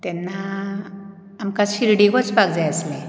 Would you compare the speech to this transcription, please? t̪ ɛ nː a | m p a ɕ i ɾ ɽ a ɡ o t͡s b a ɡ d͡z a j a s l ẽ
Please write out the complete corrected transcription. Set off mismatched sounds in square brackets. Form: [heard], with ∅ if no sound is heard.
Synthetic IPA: t̪ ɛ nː a | m [k] a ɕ i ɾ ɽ [i] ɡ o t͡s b a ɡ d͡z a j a s l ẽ